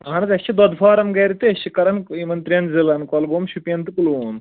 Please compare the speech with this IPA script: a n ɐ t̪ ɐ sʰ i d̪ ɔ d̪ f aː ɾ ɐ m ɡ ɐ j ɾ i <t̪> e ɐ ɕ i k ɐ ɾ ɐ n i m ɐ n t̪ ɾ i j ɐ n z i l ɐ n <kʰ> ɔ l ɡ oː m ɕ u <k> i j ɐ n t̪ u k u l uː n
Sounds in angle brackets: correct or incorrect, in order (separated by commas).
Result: correct, incorrect, incorrect